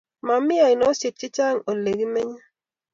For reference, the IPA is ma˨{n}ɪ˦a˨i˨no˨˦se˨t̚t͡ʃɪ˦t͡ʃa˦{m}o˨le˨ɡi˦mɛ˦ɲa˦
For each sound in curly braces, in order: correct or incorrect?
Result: incorrect: m, incorrect: ŋ

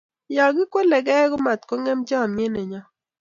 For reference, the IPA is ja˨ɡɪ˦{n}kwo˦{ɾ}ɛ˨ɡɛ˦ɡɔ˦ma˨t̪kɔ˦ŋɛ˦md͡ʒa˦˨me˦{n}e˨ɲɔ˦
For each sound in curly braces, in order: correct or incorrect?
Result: incorrect: none, incorrect: l, correct

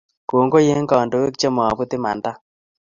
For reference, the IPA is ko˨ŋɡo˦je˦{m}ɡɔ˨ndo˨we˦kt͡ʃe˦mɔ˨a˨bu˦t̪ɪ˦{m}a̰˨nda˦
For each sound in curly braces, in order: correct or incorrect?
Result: incorrect: ŋ, correct

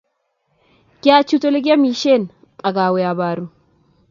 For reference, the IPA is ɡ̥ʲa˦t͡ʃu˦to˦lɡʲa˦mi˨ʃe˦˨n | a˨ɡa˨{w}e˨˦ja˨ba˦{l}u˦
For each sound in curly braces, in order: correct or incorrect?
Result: correct, incorrect: ɾ

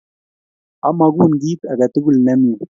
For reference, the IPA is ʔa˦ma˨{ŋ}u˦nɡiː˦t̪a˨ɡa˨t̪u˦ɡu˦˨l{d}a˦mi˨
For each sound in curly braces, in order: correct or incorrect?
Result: incorrect: ɡ, incorrect: n

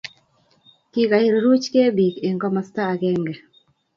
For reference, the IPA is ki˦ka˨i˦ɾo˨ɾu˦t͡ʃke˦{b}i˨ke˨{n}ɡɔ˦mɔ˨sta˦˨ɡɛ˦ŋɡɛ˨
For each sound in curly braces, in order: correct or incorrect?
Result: correct, incorrect: ŋ

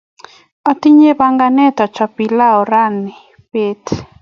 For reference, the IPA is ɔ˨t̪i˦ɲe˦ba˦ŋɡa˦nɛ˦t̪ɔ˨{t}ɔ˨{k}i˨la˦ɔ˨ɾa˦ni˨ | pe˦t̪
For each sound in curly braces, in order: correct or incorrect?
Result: incorrect: t͡ʃ, incorrect: p

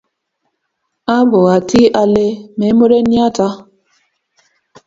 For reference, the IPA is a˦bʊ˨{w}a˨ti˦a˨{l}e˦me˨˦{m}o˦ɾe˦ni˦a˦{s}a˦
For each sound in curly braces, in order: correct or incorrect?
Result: incorrect: ɣ, correct, correct, incorrect: t

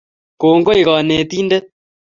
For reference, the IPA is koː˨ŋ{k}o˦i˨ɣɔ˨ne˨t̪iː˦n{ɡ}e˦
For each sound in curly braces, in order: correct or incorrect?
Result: incorrect: ɡ, incorrect: d

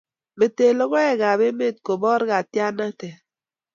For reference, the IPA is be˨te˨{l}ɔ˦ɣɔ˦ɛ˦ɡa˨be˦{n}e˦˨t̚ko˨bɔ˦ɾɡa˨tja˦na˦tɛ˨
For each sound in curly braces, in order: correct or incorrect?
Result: correct, incorrect: m

